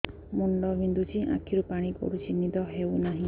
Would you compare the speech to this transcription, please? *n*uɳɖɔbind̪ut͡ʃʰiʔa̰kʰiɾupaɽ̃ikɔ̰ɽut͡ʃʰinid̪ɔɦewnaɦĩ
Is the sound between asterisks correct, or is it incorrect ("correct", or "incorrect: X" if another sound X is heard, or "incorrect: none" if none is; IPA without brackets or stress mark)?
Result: incorrect: m